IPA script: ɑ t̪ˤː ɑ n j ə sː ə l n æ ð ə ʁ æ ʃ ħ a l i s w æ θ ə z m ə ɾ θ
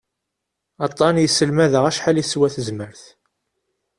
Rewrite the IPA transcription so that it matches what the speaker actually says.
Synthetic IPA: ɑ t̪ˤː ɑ n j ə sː ə l m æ ð ə ʁ æ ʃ ħ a l i s w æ θ ə z m ə ɾ θ